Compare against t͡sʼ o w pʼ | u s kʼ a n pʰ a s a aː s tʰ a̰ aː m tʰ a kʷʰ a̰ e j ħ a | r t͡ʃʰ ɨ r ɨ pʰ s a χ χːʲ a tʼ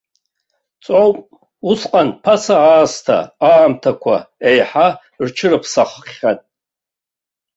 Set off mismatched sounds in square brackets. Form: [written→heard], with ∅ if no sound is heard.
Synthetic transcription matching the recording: t͡sʼ o w pʼ | u s [kʼ→qʼ] a n pʰ a s a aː s tʰ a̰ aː m tʰ a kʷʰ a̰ e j ħ a | r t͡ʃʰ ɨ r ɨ pʰ s a χ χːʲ a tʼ